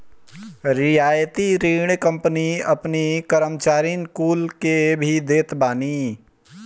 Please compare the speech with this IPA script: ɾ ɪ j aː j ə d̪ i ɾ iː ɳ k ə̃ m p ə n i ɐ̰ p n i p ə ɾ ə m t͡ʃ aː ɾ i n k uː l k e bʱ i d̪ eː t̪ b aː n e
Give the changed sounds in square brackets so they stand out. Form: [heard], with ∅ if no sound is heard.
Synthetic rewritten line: ɾ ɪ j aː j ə [t̪] i ɾ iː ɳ k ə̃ m p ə n i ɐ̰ p n i [k] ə ɾ ə m t͡ʃ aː ɾ i n k uː l k e bʱ i d̪ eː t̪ b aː n [i]